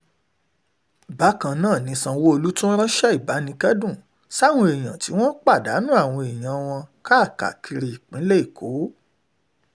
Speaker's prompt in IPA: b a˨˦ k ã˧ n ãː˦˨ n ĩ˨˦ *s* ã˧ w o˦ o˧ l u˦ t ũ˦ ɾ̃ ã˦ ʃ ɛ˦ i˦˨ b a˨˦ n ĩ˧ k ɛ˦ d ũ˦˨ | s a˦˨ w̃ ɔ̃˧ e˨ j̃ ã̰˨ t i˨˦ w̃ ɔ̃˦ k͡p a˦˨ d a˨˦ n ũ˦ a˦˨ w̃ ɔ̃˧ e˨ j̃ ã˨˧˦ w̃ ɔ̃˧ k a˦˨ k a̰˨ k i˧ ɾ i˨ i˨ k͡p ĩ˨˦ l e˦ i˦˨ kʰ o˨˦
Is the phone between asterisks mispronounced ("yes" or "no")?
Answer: no